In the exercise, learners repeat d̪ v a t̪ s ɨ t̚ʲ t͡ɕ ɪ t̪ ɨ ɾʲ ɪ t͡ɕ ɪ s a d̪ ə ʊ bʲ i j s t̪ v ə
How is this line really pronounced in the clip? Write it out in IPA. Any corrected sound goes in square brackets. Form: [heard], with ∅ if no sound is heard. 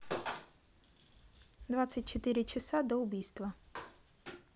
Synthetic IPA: d̪ v a t̪ s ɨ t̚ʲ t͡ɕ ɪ t̪ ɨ ɾʲ ɪ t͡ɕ ɪ s a d̪ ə ʊ bʲ i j s t̪ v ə

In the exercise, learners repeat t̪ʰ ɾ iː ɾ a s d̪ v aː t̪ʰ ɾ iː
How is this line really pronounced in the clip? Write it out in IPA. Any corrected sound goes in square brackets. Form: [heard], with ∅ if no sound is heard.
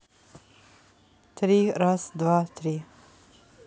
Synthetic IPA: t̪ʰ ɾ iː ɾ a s d̪ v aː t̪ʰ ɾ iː

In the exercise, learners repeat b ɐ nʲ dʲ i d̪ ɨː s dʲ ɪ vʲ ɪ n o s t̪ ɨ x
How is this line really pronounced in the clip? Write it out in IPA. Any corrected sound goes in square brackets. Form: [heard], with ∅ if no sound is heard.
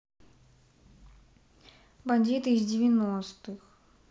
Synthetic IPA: b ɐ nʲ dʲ i [t̪] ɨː [z] dʲ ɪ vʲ ɪ n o s t̪ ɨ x

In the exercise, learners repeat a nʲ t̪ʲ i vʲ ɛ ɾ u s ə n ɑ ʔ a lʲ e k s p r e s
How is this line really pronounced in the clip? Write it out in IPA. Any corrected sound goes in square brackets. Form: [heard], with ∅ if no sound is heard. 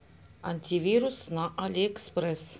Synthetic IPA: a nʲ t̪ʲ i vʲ [i] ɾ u s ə n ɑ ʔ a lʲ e k s p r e s

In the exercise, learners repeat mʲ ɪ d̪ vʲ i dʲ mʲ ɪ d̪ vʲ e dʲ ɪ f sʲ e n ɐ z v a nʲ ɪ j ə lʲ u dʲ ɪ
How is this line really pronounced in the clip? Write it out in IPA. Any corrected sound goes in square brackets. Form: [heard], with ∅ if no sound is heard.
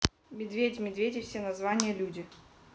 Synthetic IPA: mʲ ɪ d̪ vʲ [e] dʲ mʲ ɪ d̪ vʲ e dʲ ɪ f sʲ e n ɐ z v a nʲ ɪ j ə lʲ u dʲ ɪ

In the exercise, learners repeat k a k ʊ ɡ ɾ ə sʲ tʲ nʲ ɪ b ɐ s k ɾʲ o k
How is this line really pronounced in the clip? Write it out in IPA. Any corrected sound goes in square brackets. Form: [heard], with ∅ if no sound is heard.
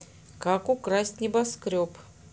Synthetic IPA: k a k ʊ [k] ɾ [a] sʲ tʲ nʲ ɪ b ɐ s k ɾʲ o [p]

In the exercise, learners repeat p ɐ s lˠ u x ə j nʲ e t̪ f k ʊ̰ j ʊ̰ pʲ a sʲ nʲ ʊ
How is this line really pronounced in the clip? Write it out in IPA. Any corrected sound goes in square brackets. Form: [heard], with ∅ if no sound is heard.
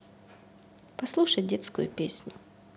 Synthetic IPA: p ɐ s lˠ u [ʂ] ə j [dʲ] e t̪ [s] k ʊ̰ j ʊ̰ pʲ [e] sʲ nʲ ʊ

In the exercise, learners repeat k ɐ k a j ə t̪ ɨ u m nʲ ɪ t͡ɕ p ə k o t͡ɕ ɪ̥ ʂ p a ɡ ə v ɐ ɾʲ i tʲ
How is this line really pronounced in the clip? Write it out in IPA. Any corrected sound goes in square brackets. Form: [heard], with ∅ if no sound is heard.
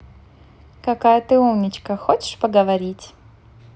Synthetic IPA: k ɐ k a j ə t̪ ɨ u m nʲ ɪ t͡ɕ [k] ə [x] o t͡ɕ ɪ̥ ʂ p [ə] ɡ ə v ɐ ɾʲ i tʲ

